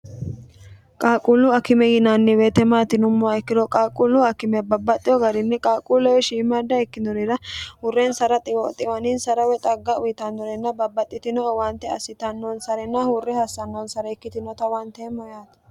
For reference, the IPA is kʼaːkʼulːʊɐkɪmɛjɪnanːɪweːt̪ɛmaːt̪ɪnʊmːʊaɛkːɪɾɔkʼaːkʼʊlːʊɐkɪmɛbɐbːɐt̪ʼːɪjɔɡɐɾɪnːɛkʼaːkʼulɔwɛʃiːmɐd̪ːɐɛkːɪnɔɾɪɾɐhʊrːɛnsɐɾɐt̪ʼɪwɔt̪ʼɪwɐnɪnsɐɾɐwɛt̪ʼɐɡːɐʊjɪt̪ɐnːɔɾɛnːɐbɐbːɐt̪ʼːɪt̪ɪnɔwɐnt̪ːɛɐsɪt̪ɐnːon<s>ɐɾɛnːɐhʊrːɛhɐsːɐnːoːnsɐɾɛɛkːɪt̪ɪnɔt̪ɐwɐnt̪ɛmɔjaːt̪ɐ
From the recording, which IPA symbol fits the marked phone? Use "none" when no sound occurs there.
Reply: s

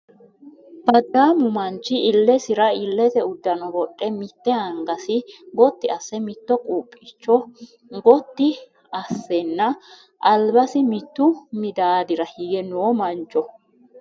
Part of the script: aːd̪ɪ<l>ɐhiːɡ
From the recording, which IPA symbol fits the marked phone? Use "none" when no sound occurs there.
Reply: ɾ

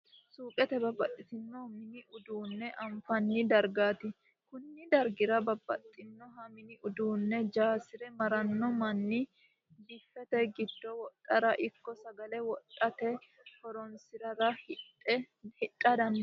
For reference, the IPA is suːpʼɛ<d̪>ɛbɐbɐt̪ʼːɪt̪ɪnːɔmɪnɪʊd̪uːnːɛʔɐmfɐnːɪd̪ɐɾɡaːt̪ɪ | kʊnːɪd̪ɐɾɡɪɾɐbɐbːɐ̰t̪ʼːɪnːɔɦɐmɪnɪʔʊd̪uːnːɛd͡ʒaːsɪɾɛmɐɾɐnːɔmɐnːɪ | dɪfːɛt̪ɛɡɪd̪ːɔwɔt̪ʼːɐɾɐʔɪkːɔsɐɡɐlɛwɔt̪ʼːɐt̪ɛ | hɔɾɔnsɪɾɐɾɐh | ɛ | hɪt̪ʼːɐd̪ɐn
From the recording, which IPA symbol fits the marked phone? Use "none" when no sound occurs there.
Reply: t̪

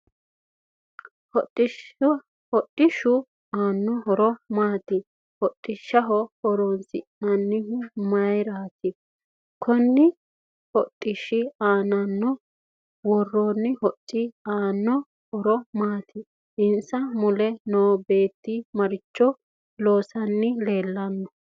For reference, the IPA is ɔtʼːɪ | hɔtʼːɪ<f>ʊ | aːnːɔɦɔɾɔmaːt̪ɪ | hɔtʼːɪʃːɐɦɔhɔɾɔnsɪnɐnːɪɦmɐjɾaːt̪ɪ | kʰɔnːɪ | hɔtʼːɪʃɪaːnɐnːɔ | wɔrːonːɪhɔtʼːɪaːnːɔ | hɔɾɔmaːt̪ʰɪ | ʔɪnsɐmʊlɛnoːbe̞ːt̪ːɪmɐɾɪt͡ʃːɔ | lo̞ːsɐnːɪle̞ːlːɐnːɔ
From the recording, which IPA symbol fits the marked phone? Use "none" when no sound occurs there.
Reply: ʃ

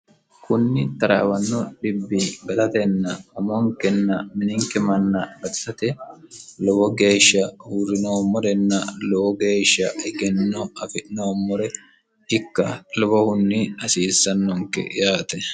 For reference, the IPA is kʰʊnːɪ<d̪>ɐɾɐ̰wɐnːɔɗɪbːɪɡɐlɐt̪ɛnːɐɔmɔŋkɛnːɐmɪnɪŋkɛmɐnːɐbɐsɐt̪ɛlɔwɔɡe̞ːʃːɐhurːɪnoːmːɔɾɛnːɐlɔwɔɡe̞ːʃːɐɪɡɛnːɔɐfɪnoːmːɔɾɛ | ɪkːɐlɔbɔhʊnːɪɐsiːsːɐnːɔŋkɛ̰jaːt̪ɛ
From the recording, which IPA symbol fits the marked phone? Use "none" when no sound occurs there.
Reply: t̪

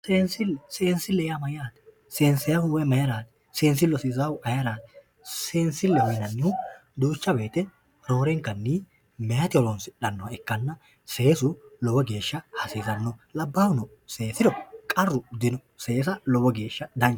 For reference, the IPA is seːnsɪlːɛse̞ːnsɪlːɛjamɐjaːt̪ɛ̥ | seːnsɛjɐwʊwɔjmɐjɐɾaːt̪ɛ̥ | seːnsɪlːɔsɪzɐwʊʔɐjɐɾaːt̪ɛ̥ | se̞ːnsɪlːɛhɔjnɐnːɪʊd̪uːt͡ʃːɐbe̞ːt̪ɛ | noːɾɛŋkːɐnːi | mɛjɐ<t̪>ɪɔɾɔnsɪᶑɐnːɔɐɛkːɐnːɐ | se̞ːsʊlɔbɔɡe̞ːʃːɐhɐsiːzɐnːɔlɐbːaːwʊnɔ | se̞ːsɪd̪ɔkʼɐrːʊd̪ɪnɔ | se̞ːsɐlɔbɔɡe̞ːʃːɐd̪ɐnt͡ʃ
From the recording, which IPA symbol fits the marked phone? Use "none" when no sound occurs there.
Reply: t̪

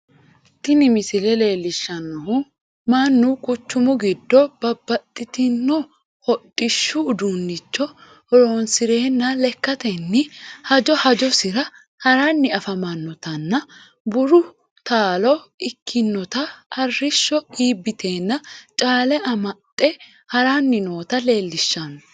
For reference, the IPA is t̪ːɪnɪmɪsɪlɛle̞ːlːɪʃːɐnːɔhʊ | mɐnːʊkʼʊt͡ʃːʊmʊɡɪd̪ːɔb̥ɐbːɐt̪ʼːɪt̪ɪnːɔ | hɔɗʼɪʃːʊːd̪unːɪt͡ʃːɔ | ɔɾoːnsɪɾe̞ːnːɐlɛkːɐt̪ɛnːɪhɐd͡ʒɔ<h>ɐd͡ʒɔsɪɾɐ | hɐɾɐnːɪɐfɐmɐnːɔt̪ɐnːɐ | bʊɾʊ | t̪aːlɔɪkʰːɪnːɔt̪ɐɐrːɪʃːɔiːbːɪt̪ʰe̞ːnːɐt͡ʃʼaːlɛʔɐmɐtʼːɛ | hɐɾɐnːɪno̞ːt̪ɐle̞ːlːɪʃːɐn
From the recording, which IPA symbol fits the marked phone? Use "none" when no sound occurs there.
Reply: h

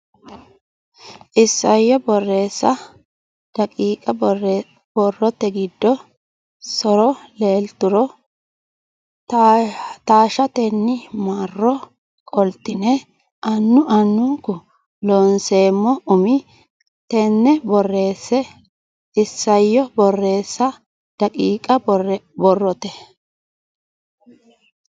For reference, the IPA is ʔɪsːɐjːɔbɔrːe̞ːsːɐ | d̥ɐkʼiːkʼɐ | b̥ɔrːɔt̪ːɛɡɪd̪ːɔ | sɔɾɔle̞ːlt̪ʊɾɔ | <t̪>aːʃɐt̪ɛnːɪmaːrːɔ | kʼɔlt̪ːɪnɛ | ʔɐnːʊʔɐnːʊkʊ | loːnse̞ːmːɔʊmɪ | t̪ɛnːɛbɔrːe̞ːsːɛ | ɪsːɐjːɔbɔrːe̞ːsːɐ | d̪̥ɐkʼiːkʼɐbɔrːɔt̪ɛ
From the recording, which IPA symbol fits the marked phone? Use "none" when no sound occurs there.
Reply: t̪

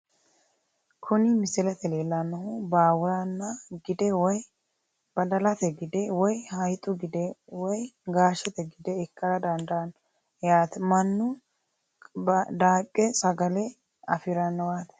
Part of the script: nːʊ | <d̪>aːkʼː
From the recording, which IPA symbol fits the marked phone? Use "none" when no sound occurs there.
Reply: d̪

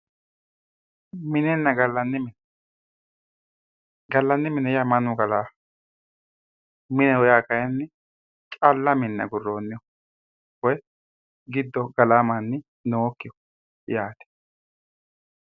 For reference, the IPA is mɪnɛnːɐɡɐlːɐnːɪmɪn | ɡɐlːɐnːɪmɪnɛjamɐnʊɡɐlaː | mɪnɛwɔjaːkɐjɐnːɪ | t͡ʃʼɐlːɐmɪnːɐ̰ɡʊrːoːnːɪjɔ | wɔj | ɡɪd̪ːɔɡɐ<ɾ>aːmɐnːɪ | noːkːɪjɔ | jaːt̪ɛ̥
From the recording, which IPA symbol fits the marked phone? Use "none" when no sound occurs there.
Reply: l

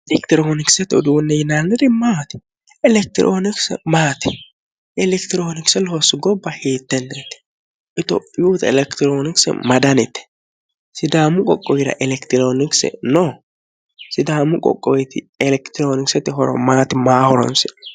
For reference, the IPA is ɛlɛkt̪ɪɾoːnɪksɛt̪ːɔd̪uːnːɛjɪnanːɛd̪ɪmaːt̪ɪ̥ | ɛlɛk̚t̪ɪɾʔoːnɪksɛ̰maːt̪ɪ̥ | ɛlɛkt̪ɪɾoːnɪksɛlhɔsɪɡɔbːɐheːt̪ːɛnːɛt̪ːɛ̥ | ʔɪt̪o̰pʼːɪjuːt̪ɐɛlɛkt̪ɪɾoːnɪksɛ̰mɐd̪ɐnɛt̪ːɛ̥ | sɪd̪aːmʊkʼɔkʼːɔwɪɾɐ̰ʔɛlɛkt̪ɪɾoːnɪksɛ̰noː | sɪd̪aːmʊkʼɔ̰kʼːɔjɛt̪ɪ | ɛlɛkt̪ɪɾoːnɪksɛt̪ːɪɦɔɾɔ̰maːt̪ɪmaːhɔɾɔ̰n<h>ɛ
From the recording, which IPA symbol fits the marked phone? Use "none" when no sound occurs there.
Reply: s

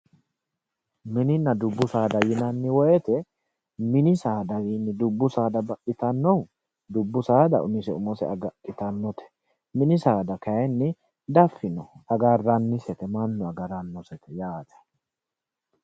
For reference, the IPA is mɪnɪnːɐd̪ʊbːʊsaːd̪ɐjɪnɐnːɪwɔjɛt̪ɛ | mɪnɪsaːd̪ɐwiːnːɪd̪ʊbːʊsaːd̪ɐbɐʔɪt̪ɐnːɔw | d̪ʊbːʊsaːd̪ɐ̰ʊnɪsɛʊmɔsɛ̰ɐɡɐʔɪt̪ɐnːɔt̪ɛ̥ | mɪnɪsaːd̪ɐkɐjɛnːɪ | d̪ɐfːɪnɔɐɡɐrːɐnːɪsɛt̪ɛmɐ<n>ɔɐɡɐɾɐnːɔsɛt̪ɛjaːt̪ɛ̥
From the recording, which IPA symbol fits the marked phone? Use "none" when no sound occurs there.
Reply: nː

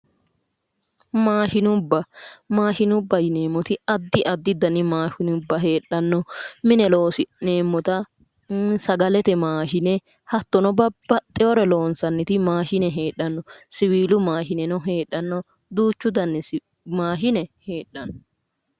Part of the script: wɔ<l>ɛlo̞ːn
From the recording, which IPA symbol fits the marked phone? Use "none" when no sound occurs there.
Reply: ɾ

